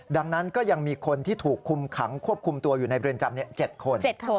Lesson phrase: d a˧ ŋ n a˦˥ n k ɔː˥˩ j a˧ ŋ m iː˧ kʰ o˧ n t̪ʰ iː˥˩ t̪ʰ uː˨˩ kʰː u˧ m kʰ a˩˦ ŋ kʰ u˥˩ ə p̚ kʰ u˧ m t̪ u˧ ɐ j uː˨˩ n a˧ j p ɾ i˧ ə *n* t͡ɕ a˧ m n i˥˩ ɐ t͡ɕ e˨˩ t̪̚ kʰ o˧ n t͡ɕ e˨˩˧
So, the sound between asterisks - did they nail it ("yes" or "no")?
yes